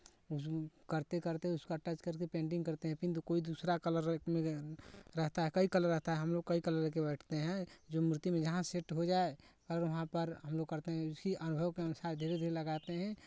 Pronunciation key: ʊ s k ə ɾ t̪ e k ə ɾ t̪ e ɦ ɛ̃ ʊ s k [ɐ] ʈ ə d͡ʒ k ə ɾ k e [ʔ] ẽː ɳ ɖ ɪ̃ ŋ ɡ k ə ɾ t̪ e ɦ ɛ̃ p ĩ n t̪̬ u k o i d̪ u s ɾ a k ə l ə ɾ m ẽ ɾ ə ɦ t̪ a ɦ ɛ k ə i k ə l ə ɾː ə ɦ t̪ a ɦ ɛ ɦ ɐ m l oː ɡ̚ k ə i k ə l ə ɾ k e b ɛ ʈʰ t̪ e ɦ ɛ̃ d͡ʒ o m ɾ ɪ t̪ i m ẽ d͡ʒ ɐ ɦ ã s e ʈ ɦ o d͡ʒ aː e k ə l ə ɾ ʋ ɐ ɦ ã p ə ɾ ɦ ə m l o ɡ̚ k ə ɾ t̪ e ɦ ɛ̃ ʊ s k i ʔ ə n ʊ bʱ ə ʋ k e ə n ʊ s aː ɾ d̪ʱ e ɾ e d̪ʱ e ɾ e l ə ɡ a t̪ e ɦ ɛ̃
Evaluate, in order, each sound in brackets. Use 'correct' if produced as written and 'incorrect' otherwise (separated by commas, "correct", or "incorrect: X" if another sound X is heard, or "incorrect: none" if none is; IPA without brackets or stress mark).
incorrect: a, incorrect: p